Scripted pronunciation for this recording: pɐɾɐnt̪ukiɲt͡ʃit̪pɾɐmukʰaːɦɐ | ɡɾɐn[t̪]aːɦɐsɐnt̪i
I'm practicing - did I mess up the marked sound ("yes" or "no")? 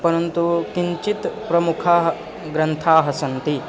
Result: yes